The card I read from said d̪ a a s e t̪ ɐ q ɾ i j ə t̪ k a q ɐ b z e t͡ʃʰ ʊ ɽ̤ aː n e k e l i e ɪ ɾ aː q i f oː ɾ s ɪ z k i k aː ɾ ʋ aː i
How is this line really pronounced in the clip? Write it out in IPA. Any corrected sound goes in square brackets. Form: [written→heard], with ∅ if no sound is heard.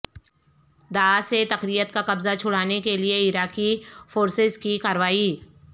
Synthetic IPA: d̪ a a s e t̪ ɐ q ɾ i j ə t̪ k a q ɐ b z [e→a] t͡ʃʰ ʊ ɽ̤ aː n e k e l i e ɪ ɾ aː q i f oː ɾ s ɪ z k i k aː ɾ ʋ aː i